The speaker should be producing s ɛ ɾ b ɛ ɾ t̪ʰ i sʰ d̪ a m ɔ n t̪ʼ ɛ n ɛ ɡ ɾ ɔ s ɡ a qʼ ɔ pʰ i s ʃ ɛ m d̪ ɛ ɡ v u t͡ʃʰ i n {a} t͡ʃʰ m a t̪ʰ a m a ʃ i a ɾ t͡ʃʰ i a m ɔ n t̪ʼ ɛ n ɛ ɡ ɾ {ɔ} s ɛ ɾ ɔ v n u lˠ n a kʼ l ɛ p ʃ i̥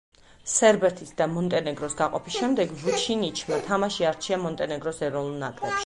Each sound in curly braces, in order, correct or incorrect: incorrect, correct

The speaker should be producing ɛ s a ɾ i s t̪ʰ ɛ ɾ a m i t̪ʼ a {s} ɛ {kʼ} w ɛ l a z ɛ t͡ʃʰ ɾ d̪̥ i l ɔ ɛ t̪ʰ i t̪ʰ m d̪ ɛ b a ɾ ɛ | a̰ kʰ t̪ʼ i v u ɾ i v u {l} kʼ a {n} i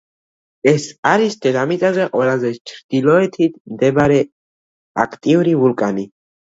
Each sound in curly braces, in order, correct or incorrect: incorrect, incorrect, correct, correct

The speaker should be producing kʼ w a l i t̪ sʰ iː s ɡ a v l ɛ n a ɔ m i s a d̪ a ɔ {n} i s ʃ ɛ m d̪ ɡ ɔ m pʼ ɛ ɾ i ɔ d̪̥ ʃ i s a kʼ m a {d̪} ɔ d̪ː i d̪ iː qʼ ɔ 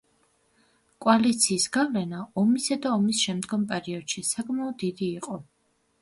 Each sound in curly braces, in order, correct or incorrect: incorrect, incorrect

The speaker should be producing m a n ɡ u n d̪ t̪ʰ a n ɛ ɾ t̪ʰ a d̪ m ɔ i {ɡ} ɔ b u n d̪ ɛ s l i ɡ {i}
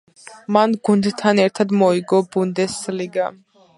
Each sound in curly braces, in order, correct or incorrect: correct, incorrect

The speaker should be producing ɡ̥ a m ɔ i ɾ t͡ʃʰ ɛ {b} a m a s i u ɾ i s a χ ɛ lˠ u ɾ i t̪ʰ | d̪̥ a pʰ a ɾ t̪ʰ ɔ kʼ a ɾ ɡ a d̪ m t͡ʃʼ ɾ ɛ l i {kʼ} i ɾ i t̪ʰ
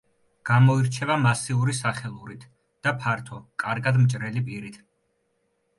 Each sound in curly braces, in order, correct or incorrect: incorrect, incorrect

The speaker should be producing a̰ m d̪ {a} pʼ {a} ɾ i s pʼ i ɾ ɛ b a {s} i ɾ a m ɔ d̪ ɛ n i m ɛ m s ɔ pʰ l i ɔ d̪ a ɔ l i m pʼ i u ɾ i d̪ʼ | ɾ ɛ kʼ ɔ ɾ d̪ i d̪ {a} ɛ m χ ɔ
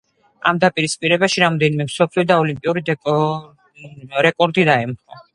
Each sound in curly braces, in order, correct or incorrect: correct, incorrect, incorrect, correct

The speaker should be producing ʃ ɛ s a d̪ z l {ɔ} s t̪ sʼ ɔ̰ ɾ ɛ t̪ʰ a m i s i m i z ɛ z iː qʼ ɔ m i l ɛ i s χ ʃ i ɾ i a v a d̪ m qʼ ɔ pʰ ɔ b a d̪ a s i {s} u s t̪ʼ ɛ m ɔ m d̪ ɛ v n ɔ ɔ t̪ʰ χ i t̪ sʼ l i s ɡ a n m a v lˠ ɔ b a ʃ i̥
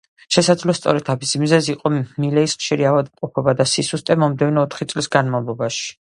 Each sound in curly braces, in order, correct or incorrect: correct, correct

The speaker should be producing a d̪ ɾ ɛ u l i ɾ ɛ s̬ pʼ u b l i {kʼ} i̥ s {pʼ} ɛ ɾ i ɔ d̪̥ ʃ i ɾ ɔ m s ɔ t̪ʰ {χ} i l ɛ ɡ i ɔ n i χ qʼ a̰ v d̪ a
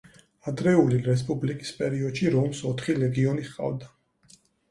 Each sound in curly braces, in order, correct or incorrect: correct, correct, correct

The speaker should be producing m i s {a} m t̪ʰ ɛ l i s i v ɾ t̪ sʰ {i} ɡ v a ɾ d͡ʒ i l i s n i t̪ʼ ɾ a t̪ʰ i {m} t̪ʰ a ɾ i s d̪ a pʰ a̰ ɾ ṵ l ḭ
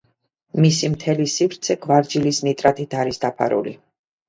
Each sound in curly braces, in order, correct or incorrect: incorrect, incorrect, incorrect

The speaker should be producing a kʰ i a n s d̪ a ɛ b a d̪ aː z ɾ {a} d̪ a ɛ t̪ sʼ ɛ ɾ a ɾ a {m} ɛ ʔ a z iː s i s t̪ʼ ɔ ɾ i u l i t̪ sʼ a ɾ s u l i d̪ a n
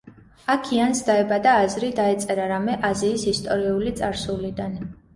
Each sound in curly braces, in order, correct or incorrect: incorrect, correct

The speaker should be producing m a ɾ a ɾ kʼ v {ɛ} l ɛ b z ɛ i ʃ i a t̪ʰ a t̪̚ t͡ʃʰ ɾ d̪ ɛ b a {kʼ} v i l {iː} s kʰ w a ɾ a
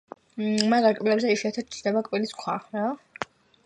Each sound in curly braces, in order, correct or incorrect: incorrect, correct, incorrect

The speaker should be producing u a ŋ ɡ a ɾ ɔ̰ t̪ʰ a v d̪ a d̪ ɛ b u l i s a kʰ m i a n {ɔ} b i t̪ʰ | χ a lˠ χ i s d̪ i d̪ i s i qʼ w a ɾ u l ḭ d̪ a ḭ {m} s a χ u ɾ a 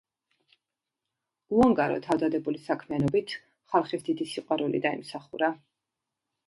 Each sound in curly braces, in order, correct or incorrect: correct, correct

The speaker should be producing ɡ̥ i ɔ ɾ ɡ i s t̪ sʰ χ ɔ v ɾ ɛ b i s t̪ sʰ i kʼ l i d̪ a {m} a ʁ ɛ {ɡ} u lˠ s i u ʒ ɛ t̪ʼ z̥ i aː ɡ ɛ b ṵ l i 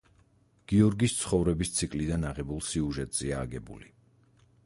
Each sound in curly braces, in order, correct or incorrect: incorrect, incorrect

